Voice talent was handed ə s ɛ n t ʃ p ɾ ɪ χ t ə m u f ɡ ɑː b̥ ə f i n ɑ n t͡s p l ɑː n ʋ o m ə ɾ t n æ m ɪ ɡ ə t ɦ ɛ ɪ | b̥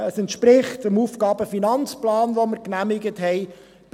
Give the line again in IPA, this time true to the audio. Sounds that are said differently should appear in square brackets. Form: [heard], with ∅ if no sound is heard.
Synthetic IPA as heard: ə s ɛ n t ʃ p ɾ ɪ χ t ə m u f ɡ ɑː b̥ ə f i n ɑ n t͡s p l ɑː n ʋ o m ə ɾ [k] n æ m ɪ ɡ ə t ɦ ɛ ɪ | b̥